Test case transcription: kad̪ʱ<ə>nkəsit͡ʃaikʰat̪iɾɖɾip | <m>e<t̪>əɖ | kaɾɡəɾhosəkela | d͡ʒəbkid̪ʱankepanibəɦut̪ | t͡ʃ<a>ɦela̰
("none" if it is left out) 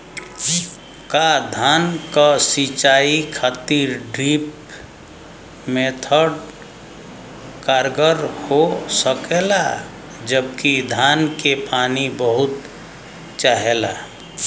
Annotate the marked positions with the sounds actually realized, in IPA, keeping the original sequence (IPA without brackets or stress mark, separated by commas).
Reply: a, m, t̪ʰ, a